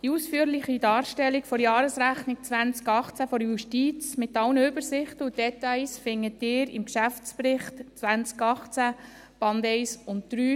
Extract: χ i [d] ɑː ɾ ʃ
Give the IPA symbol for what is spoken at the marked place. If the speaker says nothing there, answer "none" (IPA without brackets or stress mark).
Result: d